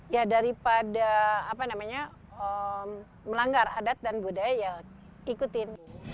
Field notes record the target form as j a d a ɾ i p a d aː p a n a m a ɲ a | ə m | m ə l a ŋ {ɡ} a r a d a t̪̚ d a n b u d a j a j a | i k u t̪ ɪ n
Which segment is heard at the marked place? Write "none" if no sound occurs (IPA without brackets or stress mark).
ɡ